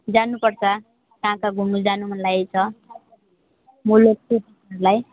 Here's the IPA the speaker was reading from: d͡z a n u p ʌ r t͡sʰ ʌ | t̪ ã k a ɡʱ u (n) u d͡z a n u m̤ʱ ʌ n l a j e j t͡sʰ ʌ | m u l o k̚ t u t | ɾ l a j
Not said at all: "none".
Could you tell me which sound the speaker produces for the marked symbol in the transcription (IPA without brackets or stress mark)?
m